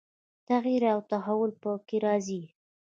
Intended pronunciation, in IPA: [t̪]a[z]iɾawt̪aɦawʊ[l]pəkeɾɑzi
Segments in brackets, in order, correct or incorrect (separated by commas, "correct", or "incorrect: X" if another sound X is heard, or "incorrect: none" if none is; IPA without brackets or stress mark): correct, incorrect: ɣ, correct